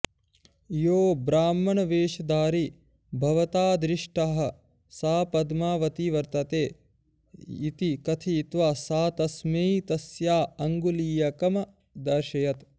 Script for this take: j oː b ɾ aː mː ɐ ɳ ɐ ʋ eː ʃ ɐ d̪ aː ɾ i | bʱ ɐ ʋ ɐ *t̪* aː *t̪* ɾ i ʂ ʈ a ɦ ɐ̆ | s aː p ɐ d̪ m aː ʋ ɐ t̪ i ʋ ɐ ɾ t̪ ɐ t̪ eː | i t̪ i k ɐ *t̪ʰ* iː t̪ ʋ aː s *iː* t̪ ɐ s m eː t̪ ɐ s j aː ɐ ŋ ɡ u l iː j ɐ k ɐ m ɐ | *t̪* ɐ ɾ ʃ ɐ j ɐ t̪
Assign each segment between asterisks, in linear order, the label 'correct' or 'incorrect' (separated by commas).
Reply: correct, incorrect, correct, incorrect, incorrect